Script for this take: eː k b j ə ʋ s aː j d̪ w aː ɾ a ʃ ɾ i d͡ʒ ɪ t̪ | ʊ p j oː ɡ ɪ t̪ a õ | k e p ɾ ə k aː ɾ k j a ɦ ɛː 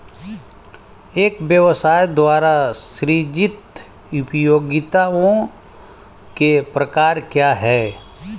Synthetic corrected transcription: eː k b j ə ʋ s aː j d̪ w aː ɾ a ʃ ɾ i d͡ʒ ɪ t̪ | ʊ p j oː ɡ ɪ t̪ a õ | k e p ɾ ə k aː ɾ k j a ɦ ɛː